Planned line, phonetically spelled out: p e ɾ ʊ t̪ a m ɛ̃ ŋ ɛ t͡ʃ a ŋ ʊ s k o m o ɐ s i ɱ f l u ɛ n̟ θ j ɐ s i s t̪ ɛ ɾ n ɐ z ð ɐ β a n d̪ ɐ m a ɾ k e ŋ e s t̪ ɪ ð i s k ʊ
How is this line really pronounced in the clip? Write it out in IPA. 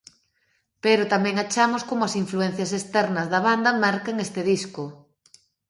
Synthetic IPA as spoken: p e ɾ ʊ t̪ a m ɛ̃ ŋ a t͡ʃ a m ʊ s k o m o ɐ s i ɱ f l u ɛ n̟ θ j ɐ s e s t̪ ɛ ɾ n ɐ z ð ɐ β a n d̪ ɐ m a ɾ k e ŋ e s t̪ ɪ ð i s k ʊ

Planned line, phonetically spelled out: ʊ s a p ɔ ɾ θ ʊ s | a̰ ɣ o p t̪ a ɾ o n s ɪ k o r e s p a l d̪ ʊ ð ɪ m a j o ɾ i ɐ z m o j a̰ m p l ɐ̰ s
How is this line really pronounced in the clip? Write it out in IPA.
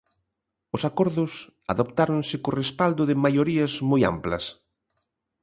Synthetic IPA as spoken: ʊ s a k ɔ ɾ ð ʊ s | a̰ ð o p t̪ a ɾ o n s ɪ k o r e s p a l d̪ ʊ ð ɪ m a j o ɾ i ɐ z m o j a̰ m p l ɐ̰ s

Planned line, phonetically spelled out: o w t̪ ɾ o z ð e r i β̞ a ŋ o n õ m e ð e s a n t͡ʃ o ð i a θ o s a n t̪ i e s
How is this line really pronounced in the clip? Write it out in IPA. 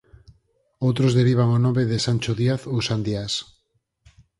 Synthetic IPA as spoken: o w t̪ ɾ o z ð e ɾ i β̞ a ŋ o n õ m e ð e s a n t͡ʃ o ð i a θ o s a n d̪ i a s

